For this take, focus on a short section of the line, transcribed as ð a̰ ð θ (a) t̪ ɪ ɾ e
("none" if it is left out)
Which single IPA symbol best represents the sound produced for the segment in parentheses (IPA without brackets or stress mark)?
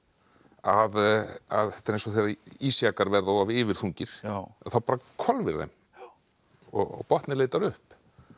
ɛ